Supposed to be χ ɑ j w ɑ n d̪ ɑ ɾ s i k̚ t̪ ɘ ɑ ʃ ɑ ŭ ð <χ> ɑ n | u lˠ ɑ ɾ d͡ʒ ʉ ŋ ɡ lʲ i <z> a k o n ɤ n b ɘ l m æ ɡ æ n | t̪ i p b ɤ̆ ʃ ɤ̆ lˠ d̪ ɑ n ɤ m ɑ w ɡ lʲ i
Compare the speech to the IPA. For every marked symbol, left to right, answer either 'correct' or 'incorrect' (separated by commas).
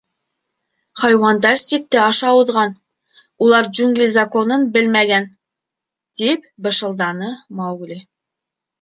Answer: incorrect, correct